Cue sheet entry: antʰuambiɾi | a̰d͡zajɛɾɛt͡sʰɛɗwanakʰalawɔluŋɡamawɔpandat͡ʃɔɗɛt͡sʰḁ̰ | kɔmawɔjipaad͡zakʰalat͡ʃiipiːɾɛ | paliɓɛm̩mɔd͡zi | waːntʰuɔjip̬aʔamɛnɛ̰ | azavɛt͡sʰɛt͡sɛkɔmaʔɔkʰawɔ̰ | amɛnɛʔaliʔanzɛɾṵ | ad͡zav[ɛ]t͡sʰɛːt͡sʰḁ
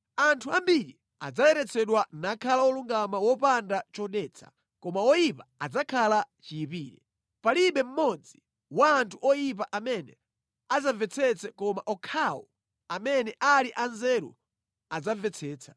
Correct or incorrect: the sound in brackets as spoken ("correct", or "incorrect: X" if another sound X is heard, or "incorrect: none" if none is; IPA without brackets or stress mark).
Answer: correct